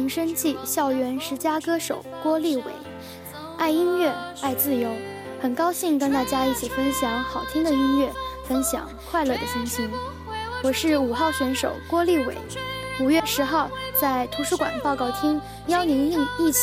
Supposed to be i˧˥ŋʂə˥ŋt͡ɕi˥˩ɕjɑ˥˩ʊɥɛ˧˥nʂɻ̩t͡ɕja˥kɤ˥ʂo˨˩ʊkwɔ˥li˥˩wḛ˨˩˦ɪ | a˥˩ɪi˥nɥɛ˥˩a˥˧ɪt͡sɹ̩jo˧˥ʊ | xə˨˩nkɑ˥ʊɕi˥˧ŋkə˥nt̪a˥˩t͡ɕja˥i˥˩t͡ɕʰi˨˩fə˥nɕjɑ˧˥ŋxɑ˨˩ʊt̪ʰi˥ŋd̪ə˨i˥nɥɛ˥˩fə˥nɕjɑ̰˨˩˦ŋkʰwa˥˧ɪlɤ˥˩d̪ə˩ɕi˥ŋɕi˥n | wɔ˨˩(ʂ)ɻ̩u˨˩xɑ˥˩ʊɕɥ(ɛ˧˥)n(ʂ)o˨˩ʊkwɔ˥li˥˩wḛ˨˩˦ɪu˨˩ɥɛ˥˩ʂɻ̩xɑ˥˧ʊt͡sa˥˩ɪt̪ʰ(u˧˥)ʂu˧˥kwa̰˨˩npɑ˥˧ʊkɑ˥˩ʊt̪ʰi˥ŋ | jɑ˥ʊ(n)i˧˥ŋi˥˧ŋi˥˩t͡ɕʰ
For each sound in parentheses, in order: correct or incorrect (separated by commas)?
correct, correct, correct, correct, correct